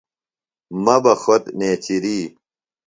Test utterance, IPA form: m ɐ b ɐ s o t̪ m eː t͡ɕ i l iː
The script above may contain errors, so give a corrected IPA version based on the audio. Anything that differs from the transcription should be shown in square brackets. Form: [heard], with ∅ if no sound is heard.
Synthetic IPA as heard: m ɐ b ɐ [x] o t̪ [n] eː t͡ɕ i [ɾ] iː